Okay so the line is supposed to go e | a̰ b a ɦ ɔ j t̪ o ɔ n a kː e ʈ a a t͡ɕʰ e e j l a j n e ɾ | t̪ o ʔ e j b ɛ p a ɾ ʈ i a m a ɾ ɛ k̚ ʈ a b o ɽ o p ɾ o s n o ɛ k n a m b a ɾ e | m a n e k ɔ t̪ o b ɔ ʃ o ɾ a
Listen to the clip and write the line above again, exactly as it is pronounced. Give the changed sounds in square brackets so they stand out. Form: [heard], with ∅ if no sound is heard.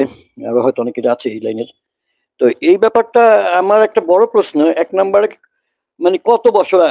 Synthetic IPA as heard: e | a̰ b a ɦ ɔ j t̪ o ɔ n [e] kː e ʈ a a t͡ɕʰ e e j l a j n e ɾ | t̪ o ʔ e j b ɛ p a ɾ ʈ [a] a m a ɾ ɛ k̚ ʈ a b [ɔ] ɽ o p ɾ o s n o ɛ k n a m b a ɾ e | m a n e k ɔ t̪ o b ɔ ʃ o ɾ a

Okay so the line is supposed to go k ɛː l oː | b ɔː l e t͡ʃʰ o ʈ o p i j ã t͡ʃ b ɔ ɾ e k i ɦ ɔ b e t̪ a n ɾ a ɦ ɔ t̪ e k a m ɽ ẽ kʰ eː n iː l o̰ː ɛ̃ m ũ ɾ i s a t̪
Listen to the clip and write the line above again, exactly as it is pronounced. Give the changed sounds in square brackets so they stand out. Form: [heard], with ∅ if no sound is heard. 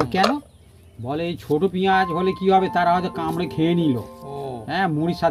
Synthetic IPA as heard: k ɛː l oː | b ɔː l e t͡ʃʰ o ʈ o p i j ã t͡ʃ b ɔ [l] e k i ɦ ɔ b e t̪ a [∅] ɾ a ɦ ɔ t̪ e k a m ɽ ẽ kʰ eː n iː l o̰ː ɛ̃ m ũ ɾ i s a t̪

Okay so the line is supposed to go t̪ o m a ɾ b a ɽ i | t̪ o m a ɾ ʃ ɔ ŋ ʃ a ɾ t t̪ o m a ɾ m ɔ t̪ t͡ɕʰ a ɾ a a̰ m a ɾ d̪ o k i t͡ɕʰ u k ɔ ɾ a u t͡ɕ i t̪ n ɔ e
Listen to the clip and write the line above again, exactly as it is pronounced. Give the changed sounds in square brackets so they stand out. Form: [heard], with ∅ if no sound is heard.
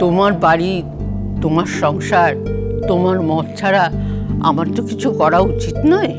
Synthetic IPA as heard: t̪ o m a ɾ b a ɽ i | t̪ o m a ɾ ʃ ɔ ŋ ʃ a ɾ t t̪ o m a ɾ m ɔ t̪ t͡ɕʰ a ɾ a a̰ m a ɾ [t̪] o k i t͡ɕʰ u k ɔ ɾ a u t͡ɕ i t̪ n ɔ e

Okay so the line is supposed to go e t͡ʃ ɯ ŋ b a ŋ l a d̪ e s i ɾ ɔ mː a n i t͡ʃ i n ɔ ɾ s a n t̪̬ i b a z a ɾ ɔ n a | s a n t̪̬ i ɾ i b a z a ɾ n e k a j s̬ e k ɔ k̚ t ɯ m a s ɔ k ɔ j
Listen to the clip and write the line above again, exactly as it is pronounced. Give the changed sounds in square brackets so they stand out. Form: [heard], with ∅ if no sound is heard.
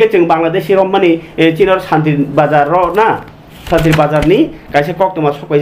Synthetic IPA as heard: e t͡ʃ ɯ ŋ b a ŋ l a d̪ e s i ɾ ɔ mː a n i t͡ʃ i n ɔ ɾ s a n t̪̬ i b a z a ɾ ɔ n a | s a n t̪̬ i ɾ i b a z a ɾ n [i] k a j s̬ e k ɔ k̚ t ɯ m a s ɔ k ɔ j

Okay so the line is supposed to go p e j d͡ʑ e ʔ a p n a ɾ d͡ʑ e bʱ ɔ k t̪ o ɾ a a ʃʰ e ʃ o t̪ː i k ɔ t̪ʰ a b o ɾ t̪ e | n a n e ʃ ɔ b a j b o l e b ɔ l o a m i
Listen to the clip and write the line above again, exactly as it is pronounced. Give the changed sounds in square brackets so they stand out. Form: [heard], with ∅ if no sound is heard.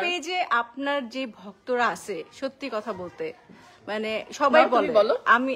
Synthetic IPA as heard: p e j d͡ʑ e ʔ a p n a ɾ d͡ʑ e bʱ ɔ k t̪ o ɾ a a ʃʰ e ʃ o t̪ː i k ɔ t̪ʰ a b o [l] t̪ e | [m] a n e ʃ ɔ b a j b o l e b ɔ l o a m i

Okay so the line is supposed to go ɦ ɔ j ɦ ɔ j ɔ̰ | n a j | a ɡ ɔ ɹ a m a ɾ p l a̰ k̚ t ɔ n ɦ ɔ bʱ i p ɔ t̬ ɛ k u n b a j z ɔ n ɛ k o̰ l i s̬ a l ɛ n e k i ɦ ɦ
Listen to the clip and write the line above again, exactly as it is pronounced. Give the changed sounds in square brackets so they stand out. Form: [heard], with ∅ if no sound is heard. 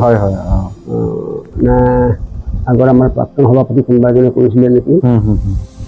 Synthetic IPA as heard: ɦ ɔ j ɦ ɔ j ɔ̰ | n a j | a ɡ ɔ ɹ a m a [ɹ] p [ɹ] a̰ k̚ t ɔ n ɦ ɔ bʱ [a] p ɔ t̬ [i] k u n b a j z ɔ n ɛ k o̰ [ɹ] i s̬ [i] l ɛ n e k i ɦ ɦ

